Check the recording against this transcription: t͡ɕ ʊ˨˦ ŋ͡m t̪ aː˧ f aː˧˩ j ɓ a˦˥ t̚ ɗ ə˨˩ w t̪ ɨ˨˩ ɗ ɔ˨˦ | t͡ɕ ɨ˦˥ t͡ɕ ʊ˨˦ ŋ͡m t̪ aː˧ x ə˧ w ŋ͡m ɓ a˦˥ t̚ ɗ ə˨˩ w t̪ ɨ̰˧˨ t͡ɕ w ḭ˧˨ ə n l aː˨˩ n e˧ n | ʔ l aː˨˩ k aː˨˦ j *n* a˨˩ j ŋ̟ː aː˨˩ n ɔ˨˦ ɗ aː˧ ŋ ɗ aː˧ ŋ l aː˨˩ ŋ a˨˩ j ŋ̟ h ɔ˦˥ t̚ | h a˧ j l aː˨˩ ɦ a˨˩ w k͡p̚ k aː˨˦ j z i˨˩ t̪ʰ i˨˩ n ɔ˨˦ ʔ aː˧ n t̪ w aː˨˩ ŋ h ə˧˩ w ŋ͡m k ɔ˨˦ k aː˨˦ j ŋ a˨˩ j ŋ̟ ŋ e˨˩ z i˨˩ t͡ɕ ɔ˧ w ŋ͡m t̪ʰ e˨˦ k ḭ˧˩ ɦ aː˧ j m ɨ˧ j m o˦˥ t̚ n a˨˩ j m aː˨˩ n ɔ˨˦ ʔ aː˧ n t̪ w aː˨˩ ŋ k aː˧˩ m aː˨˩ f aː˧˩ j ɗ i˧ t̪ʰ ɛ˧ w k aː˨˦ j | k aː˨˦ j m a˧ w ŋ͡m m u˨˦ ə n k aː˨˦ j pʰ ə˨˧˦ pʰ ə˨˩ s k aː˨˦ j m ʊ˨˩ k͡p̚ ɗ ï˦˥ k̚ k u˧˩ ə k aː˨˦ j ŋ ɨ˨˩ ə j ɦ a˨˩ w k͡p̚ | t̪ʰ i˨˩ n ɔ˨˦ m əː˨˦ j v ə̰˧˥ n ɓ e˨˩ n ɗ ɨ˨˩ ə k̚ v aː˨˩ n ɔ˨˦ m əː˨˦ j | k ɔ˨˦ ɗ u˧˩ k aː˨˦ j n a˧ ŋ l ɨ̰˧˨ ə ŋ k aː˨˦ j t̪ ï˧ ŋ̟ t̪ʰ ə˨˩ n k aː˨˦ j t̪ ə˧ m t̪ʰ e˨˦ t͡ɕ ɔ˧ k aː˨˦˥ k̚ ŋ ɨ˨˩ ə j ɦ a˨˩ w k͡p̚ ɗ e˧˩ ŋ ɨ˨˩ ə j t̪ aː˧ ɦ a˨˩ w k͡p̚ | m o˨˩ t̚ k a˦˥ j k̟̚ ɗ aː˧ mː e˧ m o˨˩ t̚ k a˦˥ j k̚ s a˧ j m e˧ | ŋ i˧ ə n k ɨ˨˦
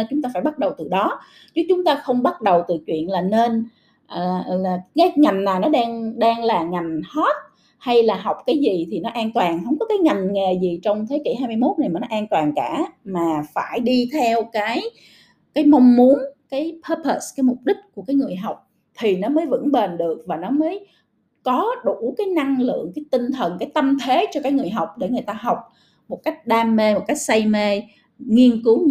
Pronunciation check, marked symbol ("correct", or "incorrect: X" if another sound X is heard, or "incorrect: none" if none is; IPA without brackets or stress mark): incorrect: ŋ